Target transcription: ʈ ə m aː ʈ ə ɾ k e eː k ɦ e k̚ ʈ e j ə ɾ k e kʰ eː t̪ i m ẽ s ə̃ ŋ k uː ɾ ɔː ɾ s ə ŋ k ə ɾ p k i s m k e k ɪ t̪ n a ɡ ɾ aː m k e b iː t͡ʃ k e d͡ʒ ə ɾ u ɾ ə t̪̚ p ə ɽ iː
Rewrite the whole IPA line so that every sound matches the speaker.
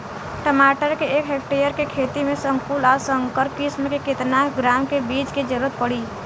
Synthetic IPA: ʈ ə m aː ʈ ə ɾ k e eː k ɦ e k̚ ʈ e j ə ɾ k e kʰ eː t̪ i m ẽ s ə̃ ŋ k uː l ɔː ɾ s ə ŋ k ə ɾ p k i s m k e k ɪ t̪ n a ɡ ɾ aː m k e b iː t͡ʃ k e d͡ʒ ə ɾ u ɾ ə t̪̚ p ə ɽ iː